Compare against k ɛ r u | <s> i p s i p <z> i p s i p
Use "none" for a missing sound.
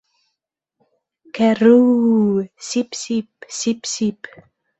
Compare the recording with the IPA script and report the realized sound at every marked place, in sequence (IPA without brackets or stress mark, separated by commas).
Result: s, s